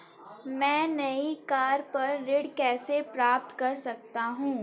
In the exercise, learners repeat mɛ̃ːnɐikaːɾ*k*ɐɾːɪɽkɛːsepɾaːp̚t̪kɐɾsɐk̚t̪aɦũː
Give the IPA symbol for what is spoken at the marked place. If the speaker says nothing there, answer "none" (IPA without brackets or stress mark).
p